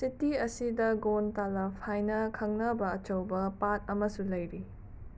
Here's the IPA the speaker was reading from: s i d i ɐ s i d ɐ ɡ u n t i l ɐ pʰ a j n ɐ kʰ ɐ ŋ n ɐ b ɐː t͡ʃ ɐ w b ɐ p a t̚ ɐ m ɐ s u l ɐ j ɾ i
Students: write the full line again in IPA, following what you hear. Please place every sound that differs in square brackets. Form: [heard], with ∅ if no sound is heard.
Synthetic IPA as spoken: s i [t] i ɐ s i d ɐ ɡ [o] n t [a] l ɐ pʰ a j n ɐ kʰ ɐ ŋ n ɐ b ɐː t͡ʃ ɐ w b ɐ p a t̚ ɐ m ɐ s u l ɐ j ɾ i